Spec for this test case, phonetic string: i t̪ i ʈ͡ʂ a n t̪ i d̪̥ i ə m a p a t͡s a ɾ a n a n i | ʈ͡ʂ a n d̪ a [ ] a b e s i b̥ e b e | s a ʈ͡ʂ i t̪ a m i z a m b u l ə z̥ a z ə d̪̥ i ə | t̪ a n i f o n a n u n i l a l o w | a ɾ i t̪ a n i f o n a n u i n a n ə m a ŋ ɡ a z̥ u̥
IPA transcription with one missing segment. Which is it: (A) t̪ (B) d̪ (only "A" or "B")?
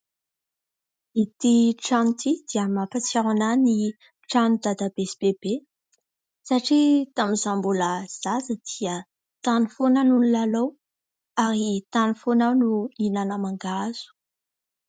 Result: B